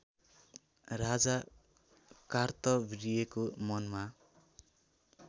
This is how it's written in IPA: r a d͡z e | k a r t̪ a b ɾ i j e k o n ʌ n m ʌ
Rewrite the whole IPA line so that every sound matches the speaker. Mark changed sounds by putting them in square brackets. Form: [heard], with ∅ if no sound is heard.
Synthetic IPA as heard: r a d͡z [a] | k a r t̪ [ʌ] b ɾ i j e k o [m] ʌ n m [a]